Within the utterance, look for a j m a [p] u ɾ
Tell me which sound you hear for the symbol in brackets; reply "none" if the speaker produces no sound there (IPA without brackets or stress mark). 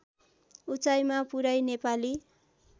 p